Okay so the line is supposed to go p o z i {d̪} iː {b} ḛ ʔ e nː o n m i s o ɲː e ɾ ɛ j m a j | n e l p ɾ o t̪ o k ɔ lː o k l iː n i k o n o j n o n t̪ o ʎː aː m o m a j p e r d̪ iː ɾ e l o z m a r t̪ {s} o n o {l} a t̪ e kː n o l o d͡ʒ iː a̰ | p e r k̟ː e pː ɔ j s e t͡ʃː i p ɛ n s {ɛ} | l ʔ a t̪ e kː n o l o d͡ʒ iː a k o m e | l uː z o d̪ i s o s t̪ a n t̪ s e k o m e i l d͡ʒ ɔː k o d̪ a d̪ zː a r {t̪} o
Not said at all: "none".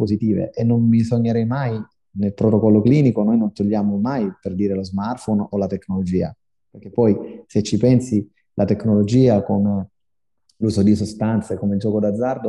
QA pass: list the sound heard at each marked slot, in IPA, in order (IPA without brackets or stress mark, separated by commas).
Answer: t̪, v, f, l, i, d̪